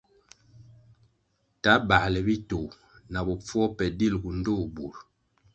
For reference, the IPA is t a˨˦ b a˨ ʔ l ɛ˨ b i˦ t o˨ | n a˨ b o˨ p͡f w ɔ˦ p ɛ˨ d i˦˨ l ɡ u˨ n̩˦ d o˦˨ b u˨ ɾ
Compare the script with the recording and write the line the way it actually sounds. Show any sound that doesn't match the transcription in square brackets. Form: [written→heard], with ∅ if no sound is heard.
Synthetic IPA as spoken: t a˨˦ b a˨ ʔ l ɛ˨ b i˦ t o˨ | n a˨ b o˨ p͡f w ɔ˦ p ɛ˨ d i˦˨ l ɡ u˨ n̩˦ d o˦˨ b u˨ ɾ

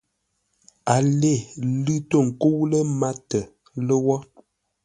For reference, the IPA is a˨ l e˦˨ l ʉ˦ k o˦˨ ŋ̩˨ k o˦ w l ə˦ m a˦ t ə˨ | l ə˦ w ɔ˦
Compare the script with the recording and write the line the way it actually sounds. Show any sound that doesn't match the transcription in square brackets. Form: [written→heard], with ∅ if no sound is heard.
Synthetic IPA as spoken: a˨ l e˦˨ l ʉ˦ [k→t] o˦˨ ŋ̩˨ k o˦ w l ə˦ m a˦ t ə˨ | l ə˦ w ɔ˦

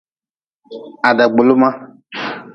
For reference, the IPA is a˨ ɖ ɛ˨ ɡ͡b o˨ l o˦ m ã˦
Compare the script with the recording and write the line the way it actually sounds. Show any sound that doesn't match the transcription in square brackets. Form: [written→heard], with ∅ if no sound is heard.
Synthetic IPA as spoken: a˨ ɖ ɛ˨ ɡ͡b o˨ l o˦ m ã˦

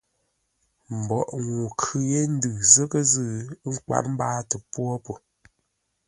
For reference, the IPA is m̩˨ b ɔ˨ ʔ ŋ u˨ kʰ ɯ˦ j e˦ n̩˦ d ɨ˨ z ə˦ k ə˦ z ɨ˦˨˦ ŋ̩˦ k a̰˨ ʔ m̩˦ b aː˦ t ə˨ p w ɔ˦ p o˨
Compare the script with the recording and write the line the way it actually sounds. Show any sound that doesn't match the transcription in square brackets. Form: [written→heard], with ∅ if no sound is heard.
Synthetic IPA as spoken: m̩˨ b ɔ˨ ʔ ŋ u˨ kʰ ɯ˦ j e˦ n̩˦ d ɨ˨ z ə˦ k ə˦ z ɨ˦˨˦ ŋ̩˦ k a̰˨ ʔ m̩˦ b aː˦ t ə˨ p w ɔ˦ p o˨

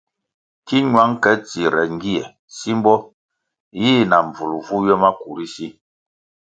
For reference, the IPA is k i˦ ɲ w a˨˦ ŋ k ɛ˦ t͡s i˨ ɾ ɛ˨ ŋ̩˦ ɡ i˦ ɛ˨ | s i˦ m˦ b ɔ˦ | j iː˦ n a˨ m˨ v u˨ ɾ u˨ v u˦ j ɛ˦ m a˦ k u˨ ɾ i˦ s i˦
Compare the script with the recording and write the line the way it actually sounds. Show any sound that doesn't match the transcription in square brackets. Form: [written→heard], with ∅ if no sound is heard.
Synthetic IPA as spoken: k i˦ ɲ w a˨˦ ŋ k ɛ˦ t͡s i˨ ɾ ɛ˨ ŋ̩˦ ɡ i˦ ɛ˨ | s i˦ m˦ b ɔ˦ | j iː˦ n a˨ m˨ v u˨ [ɾ→l] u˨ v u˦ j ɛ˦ m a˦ k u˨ ɾ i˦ s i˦

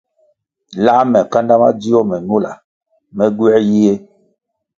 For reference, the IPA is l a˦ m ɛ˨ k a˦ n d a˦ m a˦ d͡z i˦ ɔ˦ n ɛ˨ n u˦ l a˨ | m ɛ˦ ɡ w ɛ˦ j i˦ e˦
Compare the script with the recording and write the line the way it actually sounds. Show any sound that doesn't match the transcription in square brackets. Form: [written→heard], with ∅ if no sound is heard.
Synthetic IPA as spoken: l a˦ m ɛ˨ k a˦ n d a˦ m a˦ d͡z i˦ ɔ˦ [n→m] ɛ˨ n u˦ l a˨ | m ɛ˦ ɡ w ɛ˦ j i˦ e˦

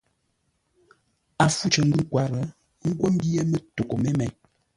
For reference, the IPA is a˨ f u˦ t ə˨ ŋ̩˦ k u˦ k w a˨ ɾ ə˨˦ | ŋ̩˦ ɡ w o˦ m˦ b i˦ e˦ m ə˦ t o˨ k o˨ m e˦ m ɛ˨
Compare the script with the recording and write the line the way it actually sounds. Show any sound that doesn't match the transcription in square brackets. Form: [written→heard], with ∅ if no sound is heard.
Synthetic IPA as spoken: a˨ f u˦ [t→t͡ʃ] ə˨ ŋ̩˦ [k→ɡ] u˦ k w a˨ ɾ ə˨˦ | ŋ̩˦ ɡ w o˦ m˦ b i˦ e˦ m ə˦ t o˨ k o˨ m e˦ m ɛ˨

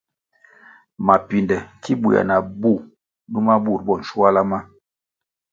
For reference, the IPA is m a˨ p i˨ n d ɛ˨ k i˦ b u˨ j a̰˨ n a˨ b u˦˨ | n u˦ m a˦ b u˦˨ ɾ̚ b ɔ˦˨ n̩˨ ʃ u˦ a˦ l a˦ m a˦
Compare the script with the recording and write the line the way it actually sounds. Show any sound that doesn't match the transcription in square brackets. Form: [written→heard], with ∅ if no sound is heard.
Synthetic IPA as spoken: m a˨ p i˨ n d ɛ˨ k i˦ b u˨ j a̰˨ n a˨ b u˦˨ | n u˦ m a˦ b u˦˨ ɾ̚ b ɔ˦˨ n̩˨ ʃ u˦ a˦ l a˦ m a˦

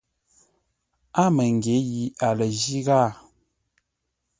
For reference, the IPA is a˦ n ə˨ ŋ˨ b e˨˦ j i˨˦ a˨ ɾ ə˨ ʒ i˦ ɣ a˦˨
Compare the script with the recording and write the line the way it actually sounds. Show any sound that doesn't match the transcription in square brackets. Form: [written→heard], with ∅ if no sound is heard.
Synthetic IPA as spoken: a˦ [n→m] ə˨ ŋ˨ [b→ɡ] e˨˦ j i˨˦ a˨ [ɾ→l] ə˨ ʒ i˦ ɣ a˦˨

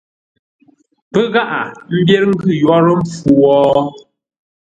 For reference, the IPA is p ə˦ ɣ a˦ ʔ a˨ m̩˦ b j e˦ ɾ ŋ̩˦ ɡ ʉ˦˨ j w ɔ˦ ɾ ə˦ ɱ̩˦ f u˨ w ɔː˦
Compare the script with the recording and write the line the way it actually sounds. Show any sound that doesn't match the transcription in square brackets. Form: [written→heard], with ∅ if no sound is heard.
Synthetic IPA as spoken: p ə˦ ɣ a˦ ʔ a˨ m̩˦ b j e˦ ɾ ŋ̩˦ ɡ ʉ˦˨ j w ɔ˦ ɾ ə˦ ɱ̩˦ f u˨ w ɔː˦

